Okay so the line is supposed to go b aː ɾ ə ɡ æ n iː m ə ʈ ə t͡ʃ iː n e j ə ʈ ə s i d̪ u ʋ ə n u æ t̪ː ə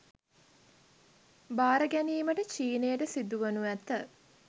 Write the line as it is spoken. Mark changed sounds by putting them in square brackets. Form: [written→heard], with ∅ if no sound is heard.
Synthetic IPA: b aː ɾ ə ɡ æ n iː m ə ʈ ə t͡ʃ iː n e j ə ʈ ə s i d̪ u ʋ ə n u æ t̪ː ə